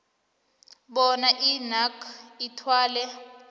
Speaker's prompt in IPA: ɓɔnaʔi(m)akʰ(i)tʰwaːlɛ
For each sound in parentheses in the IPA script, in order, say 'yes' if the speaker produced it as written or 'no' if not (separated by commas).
no, yes